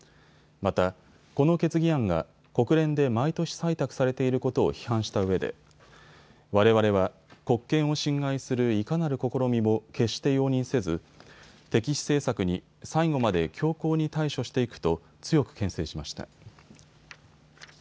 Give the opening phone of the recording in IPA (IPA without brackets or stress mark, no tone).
m